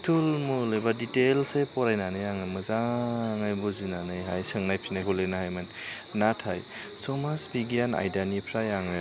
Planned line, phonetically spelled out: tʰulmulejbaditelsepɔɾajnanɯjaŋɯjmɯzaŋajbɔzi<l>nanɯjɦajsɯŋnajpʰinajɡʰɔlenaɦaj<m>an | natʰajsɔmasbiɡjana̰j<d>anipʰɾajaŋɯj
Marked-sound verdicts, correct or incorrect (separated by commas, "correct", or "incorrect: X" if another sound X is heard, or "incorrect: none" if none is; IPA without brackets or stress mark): incorrect: none, correct, correct